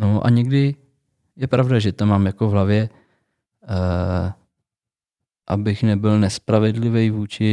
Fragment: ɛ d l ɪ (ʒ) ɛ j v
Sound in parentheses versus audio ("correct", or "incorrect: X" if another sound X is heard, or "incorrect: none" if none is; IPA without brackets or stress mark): incorrect: v